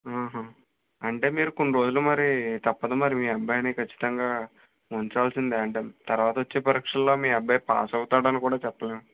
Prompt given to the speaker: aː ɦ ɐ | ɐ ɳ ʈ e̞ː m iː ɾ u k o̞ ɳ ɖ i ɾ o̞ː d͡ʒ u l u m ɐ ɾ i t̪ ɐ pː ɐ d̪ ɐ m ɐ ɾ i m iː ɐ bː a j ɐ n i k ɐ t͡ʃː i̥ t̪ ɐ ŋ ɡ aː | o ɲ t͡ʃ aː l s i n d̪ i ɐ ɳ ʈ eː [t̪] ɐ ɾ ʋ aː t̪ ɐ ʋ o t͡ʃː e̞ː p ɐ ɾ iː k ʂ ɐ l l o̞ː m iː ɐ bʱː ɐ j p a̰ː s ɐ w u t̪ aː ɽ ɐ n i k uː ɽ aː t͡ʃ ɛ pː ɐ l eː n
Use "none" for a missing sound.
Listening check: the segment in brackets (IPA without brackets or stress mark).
t̪